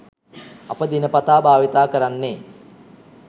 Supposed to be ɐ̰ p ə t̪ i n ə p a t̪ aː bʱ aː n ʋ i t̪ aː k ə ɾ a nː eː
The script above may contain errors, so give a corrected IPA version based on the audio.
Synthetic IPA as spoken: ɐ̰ p ə d̪ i n ə p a t̪ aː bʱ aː ʋ i t̪ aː k ə ɾ a nː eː